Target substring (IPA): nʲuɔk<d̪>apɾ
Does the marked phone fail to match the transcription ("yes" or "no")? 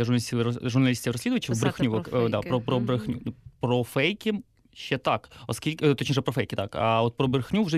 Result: no